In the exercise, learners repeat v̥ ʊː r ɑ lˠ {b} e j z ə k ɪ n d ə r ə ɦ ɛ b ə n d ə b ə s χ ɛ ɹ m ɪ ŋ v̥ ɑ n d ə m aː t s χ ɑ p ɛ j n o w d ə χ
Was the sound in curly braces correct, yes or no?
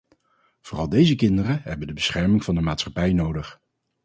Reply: no